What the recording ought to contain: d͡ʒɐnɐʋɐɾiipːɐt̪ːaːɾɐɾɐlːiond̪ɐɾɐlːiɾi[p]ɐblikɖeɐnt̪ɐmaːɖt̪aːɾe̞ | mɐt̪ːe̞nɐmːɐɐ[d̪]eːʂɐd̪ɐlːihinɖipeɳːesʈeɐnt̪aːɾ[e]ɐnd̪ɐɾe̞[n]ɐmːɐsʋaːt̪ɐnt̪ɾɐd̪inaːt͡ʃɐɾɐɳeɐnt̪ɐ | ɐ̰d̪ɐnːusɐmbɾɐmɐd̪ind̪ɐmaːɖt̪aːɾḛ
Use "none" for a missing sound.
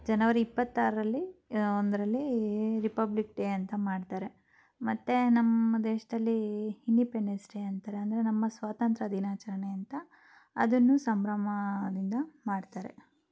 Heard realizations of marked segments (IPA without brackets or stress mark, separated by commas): p, d̪, e, n